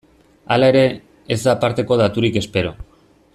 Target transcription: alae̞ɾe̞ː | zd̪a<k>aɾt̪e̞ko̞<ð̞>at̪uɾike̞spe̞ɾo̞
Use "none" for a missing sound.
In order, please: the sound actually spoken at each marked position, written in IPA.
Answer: p, ð̞

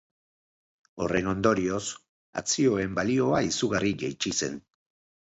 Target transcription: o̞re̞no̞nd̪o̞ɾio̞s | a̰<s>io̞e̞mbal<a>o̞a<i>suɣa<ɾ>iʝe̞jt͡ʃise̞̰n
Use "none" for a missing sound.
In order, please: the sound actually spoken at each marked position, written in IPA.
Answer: t͡s, i, i, r

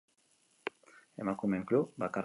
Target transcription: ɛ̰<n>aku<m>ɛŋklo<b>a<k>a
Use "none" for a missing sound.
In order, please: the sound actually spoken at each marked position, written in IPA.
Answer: m, m, b, k

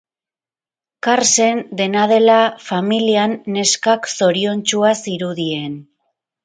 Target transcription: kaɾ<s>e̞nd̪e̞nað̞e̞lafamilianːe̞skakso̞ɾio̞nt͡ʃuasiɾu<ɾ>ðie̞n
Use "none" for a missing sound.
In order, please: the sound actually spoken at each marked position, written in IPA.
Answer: s, none

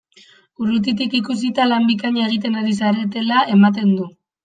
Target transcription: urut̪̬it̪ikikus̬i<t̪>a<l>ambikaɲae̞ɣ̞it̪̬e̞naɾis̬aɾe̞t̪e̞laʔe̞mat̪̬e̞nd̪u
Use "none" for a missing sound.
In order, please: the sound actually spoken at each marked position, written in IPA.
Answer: t̪, l

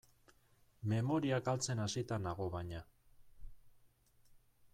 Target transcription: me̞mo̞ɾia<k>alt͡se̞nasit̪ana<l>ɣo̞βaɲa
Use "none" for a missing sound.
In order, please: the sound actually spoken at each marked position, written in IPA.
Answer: k, none

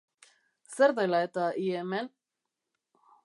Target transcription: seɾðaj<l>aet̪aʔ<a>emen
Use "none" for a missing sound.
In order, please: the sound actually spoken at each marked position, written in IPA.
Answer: l, i

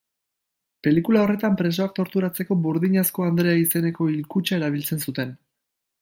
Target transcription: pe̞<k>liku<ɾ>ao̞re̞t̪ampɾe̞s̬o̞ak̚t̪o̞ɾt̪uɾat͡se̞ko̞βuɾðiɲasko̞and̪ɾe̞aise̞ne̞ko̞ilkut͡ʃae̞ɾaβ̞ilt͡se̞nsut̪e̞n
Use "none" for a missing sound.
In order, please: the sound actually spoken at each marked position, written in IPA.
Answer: none, l

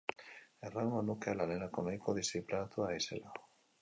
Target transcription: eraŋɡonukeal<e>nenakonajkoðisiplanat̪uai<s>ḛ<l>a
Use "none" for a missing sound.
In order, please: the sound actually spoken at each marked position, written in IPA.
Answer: a, s, l

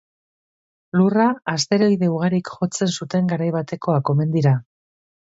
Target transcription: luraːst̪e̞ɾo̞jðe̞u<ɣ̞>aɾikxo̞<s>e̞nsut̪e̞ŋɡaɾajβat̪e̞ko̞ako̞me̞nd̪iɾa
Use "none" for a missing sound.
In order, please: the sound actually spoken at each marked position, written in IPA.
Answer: ɣ̞, t͡s

